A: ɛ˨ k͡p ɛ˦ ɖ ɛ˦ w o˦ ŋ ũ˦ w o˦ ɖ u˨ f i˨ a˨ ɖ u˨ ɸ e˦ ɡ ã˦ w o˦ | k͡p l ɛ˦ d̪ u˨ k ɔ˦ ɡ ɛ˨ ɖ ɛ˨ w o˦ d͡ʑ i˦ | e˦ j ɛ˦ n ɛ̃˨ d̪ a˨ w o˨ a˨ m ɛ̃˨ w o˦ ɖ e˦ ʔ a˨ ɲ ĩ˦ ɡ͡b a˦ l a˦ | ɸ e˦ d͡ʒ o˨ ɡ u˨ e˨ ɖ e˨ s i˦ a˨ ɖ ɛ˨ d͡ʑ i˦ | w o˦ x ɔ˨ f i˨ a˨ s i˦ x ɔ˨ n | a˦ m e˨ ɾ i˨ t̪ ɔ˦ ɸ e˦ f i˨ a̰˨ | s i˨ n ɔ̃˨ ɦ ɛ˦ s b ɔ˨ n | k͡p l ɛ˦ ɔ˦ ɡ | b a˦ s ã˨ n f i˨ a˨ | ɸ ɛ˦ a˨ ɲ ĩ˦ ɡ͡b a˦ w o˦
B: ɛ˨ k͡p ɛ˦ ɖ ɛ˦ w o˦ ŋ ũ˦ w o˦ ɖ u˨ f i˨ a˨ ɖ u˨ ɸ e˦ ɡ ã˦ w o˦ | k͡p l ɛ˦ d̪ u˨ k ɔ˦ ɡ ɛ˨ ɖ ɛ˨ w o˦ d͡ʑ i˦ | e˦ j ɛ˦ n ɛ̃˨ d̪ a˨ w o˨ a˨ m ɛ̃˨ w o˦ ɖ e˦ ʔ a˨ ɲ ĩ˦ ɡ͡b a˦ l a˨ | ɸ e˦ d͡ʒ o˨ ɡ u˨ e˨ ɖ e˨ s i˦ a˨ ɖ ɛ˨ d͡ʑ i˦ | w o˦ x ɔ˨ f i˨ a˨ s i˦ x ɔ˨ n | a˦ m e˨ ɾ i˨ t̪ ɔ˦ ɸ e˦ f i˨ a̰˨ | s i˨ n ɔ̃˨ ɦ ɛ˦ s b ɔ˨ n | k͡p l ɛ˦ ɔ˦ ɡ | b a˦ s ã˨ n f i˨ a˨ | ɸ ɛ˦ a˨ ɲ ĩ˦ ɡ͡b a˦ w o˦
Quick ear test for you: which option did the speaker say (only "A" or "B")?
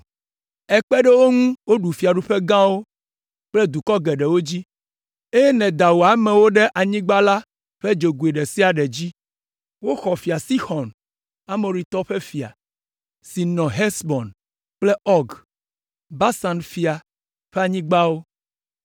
A